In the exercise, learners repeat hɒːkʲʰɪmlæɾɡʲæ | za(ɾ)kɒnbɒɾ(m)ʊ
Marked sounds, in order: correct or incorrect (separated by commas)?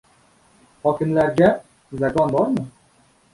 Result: incorrect, correct